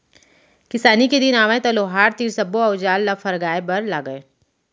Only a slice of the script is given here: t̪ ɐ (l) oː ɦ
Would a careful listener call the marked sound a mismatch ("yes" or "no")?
no